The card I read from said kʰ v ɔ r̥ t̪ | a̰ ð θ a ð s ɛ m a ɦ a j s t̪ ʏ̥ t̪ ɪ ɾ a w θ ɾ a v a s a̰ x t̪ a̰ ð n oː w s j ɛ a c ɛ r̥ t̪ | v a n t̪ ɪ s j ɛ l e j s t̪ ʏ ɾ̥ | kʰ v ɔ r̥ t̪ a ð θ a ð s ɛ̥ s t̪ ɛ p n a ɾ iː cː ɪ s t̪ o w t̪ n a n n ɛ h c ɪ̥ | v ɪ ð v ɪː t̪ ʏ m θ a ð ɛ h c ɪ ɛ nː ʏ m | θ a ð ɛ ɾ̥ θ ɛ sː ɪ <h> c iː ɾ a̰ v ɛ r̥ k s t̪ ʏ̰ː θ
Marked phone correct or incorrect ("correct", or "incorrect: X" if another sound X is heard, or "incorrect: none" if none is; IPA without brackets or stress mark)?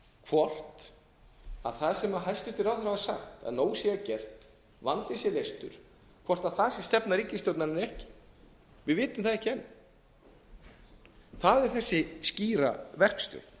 incorrect: s